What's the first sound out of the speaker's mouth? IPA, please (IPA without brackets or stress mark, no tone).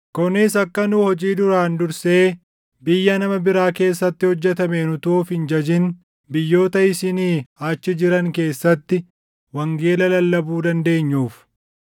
k